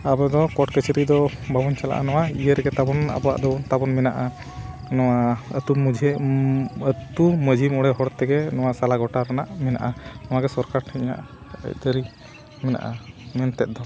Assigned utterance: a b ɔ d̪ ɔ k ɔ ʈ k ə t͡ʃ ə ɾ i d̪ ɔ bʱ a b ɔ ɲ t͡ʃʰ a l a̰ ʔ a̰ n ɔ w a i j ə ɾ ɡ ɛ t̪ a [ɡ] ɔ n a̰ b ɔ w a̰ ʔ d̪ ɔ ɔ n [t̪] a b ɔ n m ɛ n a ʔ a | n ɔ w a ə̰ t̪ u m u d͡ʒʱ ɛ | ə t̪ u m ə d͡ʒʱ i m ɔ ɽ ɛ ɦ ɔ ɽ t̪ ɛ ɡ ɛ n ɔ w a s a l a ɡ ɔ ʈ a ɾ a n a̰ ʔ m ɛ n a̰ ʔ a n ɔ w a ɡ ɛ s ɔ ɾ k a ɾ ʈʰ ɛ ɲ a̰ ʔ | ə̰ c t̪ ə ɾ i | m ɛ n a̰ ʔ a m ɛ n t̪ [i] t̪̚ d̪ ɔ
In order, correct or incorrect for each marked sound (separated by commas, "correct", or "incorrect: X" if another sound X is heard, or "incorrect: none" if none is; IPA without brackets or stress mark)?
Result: incorrect: b, correct, incorrect: ɛ